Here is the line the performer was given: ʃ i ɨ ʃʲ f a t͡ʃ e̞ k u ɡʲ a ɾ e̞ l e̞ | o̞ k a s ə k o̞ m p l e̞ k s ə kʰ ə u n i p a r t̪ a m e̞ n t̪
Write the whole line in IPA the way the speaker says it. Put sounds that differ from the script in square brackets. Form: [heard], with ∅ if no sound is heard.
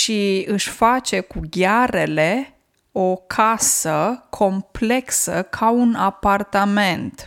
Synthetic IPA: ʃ i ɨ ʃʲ f a t͡ʃ e̞ k u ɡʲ a ɾ e̞ l e̞ | o̞ [kʰ] a s ə [kʰ] o̞ m p l e̞ k s ə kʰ [a] u n [a] p a r t̪ a m e̞ n t̪